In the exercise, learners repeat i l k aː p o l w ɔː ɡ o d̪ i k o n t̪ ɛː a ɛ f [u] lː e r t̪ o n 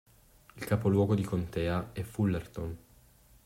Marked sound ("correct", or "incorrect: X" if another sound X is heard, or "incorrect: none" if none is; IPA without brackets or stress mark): correct